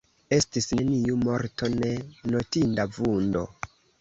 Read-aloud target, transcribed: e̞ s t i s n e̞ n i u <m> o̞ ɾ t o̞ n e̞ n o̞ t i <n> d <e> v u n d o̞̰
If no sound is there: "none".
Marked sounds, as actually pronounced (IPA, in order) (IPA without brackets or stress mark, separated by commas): m, n, a